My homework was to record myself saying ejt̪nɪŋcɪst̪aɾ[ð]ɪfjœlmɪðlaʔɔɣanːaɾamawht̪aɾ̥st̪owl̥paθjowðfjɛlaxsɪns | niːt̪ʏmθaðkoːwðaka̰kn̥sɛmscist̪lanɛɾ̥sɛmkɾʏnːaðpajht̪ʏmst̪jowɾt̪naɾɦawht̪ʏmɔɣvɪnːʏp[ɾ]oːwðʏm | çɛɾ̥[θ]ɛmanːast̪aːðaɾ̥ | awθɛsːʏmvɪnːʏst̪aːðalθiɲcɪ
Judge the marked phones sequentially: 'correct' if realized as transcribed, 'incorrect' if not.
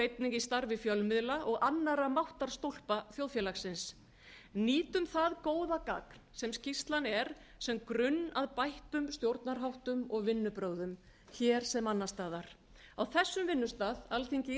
incorrect: v, correct, incorrect: s

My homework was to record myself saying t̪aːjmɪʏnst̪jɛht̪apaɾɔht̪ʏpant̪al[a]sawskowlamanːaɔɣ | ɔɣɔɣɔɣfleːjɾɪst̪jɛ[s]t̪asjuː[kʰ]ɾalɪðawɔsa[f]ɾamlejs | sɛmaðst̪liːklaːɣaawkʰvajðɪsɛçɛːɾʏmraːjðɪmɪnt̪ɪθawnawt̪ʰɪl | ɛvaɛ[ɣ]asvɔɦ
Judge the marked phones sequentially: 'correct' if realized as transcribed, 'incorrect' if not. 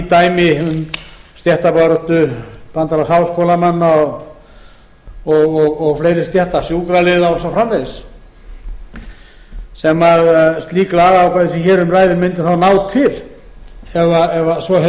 correct, incorrect: h, incorrect: k, correct, incorrect: v

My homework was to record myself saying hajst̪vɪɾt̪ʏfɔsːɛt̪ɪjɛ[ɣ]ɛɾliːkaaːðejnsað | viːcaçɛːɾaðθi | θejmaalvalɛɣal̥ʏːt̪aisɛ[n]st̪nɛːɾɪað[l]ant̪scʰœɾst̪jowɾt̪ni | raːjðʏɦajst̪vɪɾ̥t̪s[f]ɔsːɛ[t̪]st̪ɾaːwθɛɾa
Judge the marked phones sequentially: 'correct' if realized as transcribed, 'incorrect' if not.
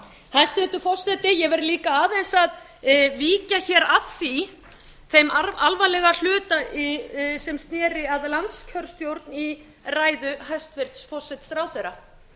incorrect: v, incorrect: m, correct, correct, correct

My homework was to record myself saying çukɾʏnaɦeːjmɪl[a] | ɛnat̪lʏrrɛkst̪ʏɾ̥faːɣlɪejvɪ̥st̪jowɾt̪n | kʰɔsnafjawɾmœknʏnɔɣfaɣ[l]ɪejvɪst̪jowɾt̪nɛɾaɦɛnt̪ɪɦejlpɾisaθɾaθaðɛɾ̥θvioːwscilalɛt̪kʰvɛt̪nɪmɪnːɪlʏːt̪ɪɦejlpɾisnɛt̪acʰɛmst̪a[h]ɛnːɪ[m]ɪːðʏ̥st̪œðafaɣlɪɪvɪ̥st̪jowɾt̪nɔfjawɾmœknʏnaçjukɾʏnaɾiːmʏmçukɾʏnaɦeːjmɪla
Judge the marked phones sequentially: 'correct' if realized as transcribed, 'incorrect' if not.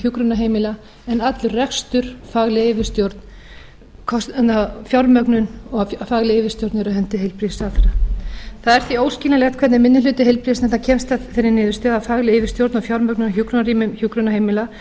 correct, correct, incorrect: θ, incorrect: n

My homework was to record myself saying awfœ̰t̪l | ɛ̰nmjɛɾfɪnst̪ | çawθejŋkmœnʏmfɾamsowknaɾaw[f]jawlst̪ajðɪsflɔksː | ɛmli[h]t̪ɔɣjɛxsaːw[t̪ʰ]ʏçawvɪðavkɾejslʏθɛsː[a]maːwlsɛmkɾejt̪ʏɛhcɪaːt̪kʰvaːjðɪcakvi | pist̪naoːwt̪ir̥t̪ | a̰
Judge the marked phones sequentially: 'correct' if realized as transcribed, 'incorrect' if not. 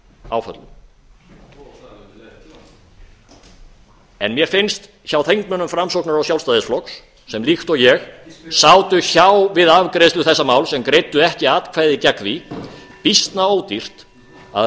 incorrect: s, incorrect: x, incorrect: t̪, correct

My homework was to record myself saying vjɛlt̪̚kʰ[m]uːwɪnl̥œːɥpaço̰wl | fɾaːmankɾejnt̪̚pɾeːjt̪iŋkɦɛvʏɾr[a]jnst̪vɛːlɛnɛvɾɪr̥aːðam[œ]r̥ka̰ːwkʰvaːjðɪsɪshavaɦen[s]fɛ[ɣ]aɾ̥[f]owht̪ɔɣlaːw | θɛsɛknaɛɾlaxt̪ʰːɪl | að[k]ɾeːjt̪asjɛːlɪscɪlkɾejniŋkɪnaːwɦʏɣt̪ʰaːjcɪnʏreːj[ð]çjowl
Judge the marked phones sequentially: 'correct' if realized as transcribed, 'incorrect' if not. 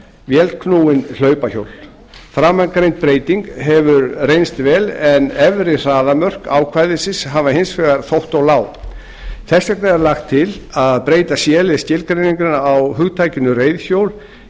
incorrect: n, incorrect: e, correct, correct, correct, incorrect: θ, incorrect: p, correct

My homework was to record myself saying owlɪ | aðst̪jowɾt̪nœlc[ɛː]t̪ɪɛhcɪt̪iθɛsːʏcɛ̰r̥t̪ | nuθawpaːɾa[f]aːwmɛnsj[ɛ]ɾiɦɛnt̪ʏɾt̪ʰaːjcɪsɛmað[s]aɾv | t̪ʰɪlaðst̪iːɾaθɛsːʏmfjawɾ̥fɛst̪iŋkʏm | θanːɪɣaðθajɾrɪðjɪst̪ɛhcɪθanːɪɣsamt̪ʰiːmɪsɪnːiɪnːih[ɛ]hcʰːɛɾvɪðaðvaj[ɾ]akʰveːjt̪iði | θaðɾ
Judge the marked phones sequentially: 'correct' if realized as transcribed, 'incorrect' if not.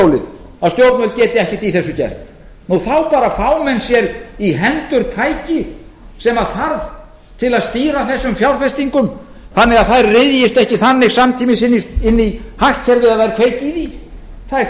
correct, correct, correct, incorrect: θ, incorrect: a, correct

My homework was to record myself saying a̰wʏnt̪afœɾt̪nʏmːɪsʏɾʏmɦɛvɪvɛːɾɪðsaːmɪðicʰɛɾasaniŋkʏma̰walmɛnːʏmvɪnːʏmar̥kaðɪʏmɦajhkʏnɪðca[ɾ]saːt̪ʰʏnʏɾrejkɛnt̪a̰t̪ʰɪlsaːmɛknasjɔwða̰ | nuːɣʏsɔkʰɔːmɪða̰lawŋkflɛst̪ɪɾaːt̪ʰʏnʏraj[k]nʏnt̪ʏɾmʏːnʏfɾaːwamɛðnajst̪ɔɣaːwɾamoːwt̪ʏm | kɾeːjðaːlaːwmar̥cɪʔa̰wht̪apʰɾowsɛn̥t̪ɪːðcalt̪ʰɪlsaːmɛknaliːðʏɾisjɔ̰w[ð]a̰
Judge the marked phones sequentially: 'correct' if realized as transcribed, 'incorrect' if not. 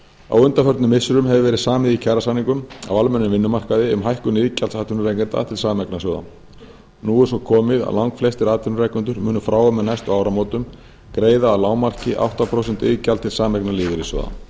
incorrect: l, correct, correct

